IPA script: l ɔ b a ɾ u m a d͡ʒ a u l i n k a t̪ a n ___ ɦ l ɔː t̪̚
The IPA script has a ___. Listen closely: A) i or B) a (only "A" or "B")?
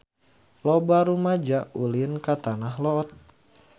B